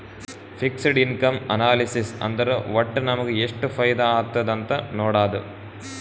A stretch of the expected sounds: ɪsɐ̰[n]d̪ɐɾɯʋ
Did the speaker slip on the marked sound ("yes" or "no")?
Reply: no